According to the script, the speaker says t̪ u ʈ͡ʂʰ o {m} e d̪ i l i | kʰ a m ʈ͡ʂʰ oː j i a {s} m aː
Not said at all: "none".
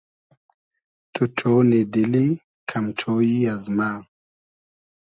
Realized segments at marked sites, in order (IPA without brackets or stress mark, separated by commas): n, z